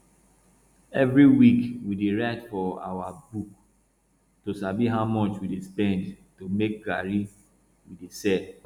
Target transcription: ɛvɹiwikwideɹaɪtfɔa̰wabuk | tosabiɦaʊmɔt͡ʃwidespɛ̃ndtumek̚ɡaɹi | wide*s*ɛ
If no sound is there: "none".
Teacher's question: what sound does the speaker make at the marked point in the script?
s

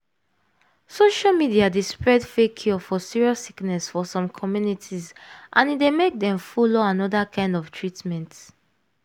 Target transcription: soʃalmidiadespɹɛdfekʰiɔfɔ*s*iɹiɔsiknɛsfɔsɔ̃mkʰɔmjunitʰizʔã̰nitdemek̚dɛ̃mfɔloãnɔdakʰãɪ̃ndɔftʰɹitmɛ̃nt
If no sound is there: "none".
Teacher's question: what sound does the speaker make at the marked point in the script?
s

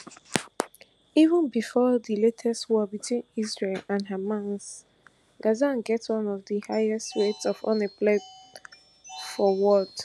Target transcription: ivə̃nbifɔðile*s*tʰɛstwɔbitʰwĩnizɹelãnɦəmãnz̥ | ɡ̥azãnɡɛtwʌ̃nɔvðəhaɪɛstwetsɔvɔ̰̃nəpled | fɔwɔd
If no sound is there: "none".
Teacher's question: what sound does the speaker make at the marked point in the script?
none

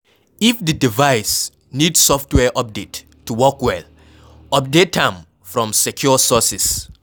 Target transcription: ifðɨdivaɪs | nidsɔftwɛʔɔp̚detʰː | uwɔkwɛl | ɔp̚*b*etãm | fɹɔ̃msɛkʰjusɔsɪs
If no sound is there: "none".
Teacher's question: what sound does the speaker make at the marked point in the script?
d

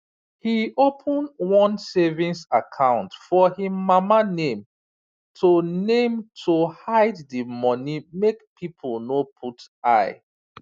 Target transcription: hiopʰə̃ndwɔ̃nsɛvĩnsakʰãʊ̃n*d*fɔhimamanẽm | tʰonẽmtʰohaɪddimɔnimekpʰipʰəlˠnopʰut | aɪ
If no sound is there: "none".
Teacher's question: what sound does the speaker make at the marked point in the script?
t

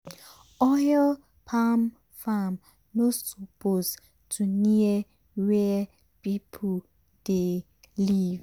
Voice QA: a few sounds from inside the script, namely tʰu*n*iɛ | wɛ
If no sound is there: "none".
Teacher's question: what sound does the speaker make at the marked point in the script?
n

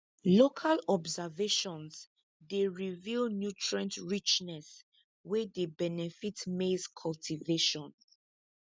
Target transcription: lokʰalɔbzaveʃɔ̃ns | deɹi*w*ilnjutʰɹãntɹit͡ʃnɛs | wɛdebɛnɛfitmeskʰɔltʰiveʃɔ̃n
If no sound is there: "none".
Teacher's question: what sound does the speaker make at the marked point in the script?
v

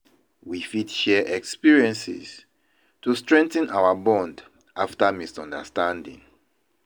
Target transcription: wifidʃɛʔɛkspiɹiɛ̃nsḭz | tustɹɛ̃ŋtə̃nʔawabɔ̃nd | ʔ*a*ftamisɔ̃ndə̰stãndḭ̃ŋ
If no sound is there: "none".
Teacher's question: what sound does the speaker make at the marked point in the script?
a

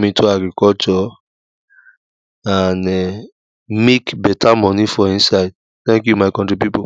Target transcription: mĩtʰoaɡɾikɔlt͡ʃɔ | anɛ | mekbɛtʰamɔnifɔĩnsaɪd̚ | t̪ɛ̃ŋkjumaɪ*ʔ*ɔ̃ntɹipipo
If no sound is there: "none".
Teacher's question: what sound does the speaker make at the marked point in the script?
k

